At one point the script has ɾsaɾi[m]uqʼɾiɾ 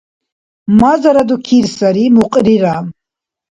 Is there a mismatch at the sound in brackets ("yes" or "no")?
no